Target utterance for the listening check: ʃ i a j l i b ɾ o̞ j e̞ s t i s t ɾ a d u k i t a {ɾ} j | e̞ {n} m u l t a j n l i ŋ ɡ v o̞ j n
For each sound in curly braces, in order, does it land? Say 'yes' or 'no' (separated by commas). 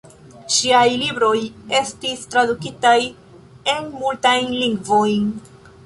no, yes